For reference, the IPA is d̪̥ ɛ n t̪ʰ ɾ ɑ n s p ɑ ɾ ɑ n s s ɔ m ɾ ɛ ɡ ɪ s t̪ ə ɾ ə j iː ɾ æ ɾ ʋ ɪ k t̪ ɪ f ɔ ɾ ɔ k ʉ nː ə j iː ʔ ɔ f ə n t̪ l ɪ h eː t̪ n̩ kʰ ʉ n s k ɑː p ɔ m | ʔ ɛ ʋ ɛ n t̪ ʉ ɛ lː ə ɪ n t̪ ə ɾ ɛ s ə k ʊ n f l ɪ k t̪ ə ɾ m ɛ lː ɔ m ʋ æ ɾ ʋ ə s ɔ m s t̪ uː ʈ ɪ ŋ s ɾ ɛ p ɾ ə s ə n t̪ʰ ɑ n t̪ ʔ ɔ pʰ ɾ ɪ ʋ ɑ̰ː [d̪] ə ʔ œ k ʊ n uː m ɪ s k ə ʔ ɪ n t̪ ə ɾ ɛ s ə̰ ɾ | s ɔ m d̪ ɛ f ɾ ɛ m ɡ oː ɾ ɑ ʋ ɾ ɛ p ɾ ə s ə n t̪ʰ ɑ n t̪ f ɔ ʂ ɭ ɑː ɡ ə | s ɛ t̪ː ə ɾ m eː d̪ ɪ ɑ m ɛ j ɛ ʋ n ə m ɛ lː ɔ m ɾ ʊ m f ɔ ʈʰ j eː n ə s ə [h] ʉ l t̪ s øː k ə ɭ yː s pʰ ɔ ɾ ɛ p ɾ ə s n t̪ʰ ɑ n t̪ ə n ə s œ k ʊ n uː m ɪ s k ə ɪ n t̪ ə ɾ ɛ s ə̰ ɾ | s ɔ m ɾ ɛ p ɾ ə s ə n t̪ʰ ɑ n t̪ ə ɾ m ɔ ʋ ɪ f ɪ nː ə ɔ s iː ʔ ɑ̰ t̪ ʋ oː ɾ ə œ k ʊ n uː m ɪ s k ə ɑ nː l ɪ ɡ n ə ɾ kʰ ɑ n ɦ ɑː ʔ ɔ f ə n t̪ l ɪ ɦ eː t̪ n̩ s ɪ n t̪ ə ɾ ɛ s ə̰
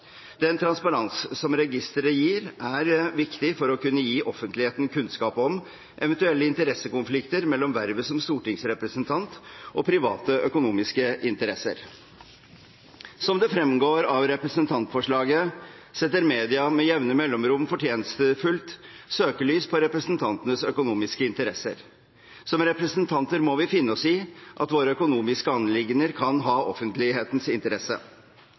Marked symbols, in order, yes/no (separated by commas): no, no